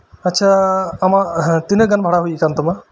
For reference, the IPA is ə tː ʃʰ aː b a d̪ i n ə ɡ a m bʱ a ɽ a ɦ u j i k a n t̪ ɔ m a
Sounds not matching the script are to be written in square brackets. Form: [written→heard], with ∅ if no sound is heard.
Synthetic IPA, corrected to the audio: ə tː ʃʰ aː [b→m] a [d̪→t̪] i n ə ɡ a [m→n] bʱ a ɽ a ɦ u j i k a n t̪ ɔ m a